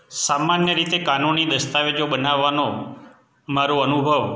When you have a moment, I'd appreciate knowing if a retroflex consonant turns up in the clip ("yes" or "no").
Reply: no